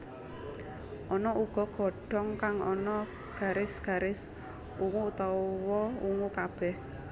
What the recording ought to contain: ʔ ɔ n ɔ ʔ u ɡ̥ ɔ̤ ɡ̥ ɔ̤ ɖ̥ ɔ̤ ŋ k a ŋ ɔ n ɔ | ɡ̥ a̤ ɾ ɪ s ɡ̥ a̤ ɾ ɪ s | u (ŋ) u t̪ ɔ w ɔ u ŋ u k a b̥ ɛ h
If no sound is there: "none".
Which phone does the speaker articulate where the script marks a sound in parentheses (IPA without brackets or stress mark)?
ŋ